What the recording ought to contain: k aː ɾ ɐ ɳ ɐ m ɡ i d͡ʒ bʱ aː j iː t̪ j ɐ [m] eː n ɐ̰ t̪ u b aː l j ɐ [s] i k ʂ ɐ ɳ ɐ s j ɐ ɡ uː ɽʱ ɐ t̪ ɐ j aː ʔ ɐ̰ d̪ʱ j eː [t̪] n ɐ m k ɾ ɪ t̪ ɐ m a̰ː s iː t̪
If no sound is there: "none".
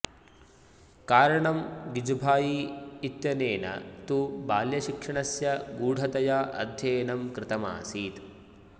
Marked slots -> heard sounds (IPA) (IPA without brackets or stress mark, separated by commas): n, ʃ, none